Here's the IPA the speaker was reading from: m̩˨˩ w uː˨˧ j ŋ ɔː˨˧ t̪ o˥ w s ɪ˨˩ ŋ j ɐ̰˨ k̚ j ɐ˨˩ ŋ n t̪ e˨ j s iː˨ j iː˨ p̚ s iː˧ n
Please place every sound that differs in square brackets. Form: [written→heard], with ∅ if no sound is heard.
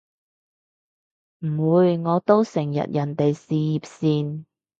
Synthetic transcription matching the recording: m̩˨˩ w uː˨˧ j ŋ ɔː˨˧ t̪ o˥ w s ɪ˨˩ ŋ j ɐ̰˨ [k̚→t̚] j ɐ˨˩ [ŋ→∅] n t̪ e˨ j s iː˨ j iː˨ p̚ s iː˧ n